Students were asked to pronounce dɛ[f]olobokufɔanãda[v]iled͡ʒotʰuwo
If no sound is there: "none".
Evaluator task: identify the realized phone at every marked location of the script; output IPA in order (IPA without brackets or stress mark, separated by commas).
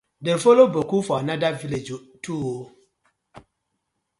f, v